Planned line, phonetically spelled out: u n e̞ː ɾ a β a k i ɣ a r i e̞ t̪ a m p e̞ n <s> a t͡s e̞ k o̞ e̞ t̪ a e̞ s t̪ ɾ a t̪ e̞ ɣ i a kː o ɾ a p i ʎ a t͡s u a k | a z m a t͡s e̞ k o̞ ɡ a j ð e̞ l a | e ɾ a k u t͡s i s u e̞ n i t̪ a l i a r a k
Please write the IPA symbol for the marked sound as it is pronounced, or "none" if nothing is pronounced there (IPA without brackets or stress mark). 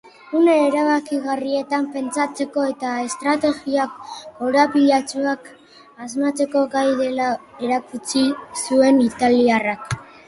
t͡s